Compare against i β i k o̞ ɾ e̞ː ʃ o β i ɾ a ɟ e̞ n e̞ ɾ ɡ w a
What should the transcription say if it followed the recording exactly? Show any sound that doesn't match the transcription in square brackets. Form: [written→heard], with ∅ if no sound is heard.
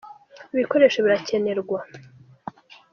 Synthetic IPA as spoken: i β i k o̞ ɾ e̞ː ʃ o β i ɾ a [ɟ→c] e̞ n e̞ ɾ ɡ w a

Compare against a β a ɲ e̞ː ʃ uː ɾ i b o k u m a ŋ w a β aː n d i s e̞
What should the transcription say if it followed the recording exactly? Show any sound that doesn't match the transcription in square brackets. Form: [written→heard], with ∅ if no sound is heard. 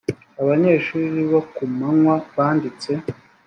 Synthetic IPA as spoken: a β a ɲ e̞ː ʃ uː ɾ i [b→β] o k u m a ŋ w a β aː n d i [s→t͡s] e̞

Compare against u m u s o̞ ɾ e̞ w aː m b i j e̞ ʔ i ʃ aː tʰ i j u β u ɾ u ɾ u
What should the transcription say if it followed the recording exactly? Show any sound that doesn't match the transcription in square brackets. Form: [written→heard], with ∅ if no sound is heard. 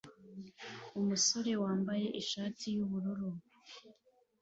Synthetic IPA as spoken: u m u s o̞ ɾ e̞ w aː m b [i→a] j e̞ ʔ i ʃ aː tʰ i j u β u ɾ u ɾ u

